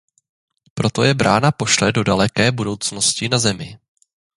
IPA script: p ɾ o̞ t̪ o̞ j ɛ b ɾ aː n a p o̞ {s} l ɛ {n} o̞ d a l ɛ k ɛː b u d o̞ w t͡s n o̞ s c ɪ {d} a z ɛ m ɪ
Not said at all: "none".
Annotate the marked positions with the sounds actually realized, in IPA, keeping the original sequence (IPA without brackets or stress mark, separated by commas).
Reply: ʃ, d, n